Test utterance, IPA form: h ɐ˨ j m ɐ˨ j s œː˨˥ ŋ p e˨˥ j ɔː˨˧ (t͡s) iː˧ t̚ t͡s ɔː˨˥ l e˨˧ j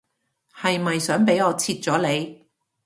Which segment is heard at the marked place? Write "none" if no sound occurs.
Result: t͡sʰ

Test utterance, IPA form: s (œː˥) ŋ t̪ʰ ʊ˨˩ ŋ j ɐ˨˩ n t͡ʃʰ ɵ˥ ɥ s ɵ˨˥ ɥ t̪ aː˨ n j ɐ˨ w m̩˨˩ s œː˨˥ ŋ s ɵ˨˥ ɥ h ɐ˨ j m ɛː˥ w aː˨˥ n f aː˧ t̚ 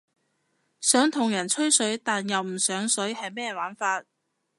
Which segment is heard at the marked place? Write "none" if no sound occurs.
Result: œː˨˥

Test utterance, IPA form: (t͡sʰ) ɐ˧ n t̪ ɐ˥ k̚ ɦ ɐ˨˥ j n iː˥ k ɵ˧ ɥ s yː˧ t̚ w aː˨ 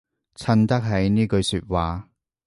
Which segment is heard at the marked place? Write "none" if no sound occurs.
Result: t͡sʰ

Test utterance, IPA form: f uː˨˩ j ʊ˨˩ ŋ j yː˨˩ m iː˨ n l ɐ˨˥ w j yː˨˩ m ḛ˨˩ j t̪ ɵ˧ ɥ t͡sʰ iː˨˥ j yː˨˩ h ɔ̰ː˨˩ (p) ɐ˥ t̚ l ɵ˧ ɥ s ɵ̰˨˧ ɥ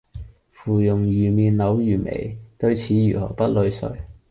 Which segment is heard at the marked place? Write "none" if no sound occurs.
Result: p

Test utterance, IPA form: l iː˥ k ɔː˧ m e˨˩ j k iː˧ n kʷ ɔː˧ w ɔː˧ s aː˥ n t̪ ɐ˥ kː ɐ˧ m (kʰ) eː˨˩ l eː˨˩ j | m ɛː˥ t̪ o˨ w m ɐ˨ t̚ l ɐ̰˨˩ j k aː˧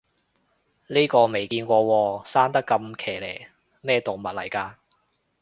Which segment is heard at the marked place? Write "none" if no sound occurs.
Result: kʰ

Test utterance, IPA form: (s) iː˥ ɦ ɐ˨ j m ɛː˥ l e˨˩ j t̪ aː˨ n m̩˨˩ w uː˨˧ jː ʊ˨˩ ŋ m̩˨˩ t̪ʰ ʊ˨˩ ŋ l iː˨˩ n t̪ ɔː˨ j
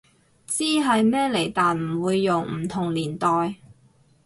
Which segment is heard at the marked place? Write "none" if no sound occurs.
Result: t͡s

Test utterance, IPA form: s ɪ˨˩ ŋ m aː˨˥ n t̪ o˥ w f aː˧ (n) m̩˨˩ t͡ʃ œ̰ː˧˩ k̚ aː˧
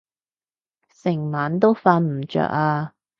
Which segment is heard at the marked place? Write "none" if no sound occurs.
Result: n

